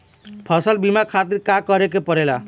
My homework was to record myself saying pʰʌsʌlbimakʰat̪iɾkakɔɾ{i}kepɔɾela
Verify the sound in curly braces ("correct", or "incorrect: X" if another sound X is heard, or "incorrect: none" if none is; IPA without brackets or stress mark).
incorrect: e